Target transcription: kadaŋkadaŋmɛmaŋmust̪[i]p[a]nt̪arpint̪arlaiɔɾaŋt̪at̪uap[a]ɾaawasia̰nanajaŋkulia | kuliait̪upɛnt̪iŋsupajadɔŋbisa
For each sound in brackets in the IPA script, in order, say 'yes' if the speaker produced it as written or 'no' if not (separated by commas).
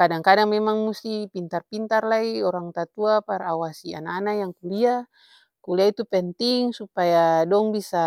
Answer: yes, no, yes